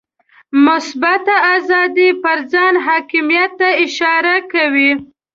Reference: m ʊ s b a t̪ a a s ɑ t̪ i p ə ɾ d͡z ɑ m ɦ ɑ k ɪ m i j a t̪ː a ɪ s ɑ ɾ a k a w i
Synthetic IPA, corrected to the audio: m ʊ s b a t̪ a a z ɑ d̪ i p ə ɾ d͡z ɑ n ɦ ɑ k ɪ m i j a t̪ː a ɪ ʃ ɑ ɾ a k a w i